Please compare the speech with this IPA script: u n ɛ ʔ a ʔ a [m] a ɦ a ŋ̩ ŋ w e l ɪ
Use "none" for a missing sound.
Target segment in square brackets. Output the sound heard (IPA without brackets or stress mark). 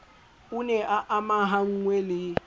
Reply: m